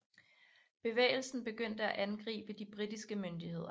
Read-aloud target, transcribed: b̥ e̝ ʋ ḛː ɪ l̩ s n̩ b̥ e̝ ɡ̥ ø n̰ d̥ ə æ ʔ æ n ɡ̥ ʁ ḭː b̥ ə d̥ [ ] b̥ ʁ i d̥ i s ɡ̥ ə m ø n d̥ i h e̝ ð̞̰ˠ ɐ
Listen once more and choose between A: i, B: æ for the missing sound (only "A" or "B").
A